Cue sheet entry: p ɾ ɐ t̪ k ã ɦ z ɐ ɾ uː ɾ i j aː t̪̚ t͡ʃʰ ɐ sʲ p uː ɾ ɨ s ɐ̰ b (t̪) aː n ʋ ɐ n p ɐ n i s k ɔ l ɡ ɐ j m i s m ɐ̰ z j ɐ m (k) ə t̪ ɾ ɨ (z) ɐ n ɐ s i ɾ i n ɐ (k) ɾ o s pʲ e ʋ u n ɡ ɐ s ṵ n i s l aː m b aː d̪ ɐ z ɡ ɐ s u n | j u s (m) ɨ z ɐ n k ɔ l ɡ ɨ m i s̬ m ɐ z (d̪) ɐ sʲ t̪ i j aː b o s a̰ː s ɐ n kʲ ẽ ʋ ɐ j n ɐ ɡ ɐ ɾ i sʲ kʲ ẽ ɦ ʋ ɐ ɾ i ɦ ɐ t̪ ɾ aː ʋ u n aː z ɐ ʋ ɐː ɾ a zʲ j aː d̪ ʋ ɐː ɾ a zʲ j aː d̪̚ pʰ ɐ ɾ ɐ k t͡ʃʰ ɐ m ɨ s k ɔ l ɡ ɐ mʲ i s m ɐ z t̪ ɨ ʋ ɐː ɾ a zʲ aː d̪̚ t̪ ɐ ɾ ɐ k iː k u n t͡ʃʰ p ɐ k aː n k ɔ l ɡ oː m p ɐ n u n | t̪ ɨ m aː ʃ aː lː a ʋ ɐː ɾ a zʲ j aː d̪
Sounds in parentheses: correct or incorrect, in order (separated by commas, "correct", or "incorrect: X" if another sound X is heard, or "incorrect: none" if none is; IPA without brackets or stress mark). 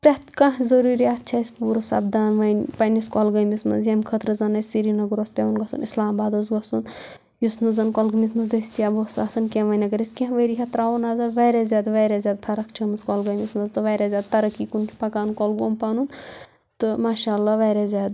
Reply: incorrect: d̪, incorrect: kʰ, correct, incorrect: ɡ, incorrect: n, correct